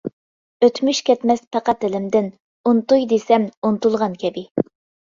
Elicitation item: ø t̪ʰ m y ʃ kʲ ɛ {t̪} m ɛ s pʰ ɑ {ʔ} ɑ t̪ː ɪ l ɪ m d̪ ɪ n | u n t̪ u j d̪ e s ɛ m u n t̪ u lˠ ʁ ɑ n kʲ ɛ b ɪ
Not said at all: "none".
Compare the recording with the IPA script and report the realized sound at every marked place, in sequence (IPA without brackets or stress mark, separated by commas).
t̪, q